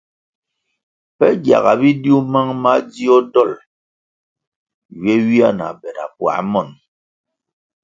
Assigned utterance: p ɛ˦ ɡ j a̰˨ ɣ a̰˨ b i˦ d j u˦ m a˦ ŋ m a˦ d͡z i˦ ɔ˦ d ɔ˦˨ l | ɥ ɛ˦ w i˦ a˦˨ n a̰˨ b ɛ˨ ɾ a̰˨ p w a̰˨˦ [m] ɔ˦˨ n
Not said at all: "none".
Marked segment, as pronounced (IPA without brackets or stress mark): m